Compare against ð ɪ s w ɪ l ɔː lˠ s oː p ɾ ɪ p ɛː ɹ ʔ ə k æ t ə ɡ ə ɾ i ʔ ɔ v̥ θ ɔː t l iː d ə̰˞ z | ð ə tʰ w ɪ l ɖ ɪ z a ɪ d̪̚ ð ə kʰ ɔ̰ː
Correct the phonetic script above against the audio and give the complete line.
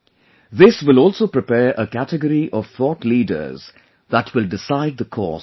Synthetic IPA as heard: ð ɪ s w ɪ l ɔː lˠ s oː p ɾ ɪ p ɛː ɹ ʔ ə k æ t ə ɡ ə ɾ i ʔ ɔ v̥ θ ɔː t l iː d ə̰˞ z | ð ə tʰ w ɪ l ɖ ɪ s a ɪ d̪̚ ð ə kʰ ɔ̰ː